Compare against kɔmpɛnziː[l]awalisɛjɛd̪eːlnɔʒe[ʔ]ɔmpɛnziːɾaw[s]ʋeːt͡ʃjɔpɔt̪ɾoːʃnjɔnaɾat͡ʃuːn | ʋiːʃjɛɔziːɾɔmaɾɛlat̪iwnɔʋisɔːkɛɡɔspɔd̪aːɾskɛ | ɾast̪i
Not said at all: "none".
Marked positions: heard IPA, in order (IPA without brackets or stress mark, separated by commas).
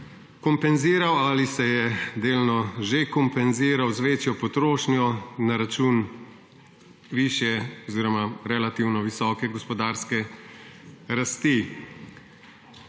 ɾ, k, z